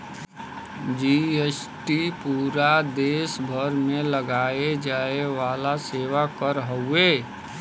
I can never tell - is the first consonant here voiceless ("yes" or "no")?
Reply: no